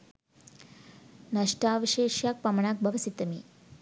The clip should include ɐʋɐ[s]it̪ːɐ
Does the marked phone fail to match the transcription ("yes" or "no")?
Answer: no